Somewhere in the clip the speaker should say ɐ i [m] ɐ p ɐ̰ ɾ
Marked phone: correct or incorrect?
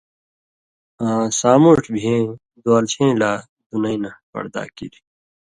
incorrect